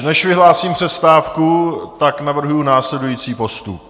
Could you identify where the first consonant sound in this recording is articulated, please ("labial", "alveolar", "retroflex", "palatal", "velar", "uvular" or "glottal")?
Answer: alveolar